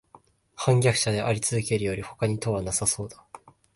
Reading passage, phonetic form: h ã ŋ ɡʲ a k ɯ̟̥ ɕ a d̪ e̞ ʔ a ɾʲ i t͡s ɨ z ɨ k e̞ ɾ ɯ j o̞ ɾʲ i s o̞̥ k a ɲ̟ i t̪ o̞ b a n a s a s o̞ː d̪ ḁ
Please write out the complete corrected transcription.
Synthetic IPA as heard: h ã ŋ ɡʲ a k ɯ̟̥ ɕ a d̪ e̞ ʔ a ɾʲ i t͡s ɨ z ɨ k e̞ ɾ ɯ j o̞ ɾʲ i h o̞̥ k a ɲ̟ i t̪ o̞ β a n a s a s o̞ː d̪ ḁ